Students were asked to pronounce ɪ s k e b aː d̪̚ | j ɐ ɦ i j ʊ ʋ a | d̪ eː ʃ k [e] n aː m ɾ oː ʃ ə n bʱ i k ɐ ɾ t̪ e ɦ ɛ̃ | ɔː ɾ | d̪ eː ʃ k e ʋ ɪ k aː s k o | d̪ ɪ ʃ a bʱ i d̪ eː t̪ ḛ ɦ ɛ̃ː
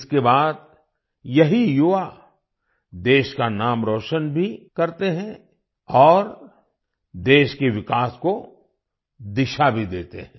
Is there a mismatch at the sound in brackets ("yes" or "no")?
yes